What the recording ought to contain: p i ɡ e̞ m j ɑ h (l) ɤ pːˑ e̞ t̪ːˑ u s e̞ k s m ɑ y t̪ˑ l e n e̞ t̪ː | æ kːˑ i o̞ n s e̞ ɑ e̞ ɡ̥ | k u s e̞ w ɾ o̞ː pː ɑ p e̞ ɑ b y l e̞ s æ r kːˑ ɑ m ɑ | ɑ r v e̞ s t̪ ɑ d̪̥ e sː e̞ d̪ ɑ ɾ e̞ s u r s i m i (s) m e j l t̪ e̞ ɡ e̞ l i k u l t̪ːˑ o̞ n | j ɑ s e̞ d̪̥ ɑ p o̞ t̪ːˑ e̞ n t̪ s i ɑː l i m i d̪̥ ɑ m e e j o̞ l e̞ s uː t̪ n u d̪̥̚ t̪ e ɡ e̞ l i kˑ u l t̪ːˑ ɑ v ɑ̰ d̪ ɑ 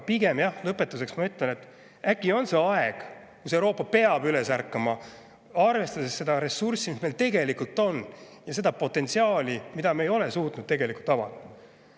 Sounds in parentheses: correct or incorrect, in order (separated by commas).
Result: correct, correct